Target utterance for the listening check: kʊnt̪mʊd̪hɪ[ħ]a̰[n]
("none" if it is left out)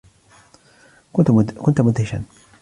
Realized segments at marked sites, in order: ʃ, n

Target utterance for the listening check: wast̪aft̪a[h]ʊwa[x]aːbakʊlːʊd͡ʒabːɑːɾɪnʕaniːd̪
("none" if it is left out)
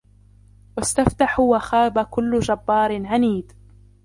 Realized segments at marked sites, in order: ħ, x

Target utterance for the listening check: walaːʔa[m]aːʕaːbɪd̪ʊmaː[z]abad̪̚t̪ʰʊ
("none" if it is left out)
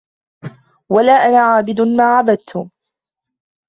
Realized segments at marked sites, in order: n, ʕ

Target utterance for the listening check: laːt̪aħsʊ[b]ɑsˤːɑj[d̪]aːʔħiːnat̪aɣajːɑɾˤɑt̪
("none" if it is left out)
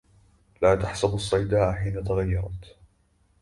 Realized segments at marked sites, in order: b, d̪

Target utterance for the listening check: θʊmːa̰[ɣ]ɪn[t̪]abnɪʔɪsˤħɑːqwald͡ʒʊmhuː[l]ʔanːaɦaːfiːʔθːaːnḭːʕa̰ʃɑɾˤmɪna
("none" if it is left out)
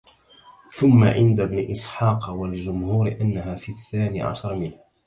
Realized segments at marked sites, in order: ʕ, d̪, ɾ

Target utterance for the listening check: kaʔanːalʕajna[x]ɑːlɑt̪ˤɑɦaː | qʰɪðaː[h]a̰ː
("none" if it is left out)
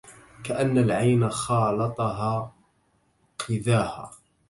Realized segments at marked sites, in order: x, h

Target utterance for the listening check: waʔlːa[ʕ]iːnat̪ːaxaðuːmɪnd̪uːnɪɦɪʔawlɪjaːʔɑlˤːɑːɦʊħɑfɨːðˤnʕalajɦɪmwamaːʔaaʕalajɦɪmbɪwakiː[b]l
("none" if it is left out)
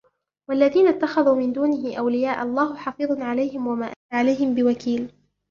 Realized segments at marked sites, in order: ð, none

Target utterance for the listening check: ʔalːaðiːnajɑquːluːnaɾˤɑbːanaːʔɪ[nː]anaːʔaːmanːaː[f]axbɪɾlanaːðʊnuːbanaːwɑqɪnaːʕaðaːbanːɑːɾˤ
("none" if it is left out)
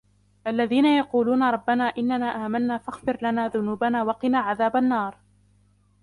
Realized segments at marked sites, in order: nː, f

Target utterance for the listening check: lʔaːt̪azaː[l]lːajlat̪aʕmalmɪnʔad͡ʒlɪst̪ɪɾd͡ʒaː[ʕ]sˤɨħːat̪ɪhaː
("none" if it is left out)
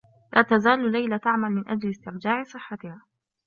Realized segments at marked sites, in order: l, ʕ

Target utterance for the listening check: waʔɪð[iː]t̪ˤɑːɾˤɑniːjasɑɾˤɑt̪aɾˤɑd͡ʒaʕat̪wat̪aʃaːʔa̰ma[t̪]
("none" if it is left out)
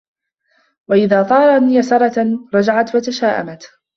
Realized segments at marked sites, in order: aː, t̪

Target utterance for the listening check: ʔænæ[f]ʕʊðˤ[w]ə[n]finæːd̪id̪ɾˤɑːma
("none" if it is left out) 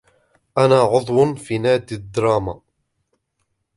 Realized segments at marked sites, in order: none, w, n

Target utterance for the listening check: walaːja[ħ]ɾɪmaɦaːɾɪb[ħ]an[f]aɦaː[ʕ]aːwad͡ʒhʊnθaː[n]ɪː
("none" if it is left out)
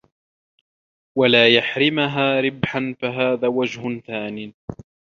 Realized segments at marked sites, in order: ħ, ħ, f, ð, n

